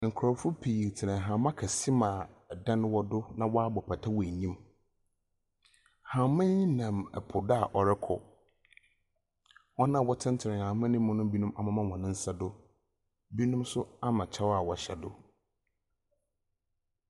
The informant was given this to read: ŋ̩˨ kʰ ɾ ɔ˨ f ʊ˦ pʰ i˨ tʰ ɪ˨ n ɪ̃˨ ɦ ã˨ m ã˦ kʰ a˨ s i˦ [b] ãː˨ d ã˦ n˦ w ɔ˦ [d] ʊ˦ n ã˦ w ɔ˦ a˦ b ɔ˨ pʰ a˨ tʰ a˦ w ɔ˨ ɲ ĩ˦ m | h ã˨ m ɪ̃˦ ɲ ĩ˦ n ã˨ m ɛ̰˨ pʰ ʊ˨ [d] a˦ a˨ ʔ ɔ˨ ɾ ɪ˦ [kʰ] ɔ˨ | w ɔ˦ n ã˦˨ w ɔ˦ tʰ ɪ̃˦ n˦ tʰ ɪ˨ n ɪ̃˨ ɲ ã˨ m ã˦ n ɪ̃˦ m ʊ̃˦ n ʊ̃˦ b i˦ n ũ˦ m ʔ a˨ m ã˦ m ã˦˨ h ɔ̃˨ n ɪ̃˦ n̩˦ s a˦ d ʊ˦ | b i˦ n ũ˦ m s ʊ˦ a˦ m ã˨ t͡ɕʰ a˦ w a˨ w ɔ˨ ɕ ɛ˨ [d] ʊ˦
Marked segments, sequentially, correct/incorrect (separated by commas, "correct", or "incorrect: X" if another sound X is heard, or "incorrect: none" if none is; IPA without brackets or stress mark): incorrect: m, correct, correct, correct, correct